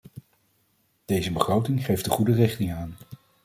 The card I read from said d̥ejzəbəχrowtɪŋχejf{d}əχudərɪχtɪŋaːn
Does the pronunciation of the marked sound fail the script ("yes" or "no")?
no